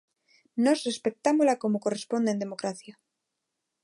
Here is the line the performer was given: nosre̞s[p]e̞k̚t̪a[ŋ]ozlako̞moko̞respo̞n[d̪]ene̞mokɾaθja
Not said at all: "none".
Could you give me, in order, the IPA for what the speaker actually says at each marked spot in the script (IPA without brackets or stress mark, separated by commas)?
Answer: p, m, d̪